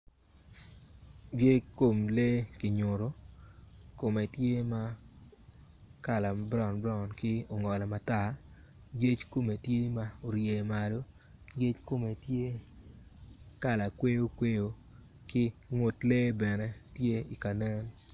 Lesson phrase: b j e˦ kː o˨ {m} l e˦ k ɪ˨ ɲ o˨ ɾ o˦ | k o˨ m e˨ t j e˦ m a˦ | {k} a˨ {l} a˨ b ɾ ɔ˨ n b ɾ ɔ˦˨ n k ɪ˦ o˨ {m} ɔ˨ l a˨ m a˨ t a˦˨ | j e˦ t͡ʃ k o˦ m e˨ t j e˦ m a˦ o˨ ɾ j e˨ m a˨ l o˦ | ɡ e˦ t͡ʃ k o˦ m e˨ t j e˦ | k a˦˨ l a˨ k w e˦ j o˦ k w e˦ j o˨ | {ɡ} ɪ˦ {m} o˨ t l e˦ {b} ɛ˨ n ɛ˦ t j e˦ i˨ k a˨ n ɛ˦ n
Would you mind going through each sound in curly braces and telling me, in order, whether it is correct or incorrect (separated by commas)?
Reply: correct, correct, correct, incorrect, incorrect, incorrect, correct